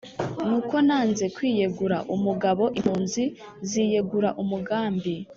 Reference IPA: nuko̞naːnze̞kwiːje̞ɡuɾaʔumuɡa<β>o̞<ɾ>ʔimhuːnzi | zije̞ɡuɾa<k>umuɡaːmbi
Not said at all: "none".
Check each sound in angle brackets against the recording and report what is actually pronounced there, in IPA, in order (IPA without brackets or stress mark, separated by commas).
β, none, ʔ